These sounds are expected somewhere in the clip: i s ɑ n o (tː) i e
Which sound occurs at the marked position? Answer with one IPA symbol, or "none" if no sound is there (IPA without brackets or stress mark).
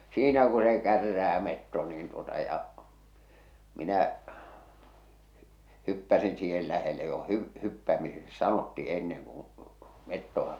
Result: tː